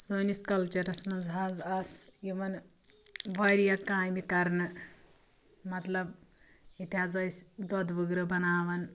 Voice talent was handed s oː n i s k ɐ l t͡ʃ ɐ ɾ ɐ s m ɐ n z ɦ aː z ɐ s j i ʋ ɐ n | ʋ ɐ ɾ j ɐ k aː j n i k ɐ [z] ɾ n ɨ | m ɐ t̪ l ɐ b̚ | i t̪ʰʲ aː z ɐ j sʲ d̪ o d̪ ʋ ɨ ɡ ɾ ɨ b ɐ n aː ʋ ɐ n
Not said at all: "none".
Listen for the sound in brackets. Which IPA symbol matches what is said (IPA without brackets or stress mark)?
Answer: none